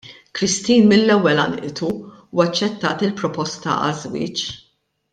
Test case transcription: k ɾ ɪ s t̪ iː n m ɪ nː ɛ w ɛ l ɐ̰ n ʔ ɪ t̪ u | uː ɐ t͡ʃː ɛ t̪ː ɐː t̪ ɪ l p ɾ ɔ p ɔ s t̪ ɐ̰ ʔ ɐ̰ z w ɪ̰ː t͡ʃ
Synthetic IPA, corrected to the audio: k ɾ ɪ s t̪ iː n m ɪ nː ɛ wː ɛ l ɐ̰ n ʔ ɪ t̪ u | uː ɐ t͡ʃː ɛ t̪ː ɐː t̪ ɪ l p ɾ ɔ p ɔ s t̪ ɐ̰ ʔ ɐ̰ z w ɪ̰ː t͡ʃ